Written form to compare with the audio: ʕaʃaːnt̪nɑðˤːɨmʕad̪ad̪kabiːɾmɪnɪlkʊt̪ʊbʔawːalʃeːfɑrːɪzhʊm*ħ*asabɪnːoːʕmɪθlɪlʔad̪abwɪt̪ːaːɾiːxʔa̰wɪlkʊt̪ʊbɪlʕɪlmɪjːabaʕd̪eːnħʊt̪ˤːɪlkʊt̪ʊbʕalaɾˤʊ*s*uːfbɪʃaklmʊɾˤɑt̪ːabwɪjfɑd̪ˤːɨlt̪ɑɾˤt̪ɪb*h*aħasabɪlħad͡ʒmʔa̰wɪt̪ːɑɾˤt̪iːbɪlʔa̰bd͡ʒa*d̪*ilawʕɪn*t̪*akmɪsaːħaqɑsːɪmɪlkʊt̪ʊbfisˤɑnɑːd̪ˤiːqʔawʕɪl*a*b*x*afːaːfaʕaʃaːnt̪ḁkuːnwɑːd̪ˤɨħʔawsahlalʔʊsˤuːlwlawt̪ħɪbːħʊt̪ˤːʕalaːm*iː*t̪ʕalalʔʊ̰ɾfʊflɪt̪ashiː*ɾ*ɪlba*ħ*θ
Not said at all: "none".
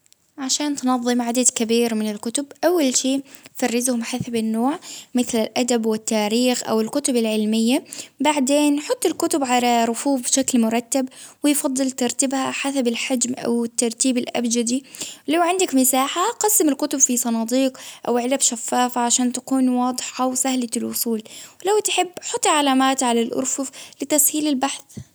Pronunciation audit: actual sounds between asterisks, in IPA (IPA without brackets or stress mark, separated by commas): ħ, f, h, d̪, d̪, a, ʃ, aː, l, ħ